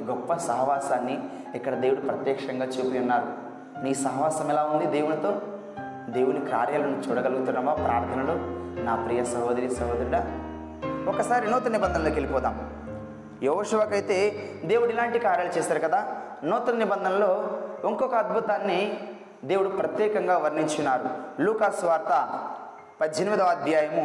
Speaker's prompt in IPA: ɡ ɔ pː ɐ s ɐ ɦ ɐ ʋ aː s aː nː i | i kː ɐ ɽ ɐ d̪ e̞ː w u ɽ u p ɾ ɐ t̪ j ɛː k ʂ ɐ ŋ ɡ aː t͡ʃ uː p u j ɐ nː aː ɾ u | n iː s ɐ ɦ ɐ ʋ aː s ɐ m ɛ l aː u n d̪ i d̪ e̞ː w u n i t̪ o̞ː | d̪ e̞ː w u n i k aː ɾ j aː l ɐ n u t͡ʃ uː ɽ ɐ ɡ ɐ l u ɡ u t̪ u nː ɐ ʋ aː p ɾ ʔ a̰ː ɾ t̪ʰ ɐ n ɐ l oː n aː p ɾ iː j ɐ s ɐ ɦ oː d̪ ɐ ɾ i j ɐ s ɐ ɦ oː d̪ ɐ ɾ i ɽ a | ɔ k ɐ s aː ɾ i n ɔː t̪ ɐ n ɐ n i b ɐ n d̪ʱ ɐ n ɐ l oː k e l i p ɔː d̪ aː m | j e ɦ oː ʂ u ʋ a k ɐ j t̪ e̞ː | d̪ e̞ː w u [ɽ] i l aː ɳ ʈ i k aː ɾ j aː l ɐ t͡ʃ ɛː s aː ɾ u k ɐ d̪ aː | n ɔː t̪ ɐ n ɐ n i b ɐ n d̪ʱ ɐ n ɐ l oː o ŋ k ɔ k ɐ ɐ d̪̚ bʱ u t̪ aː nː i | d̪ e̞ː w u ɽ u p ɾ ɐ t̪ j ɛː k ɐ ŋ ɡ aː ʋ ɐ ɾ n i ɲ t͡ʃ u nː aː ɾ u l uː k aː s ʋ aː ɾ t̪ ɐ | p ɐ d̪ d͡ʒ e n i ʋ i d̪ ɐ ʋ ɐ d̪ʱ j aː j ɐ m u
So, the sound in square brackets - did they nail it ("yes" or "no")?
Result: yes